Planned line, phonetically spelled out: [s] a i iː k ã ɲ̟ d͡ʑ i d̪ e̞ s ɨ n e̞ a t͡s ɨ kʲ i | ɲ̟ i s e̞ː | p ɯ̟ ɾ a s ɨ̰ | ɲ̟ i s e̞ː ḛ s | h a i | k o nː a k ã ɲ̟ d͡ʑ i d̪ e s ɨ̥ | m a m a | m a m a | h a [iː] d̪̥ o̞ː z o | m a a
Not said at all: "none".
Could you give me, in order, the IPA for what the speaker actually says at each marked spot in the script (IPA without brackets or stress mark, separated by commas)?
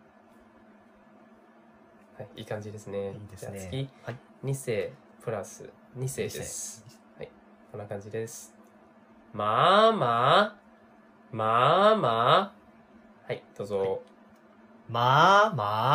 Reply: h, i